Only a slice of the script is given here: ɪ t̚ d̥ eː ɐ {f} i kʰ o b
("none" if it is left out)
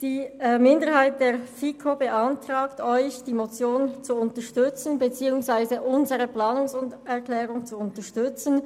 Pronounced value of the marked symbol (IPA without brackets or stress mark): f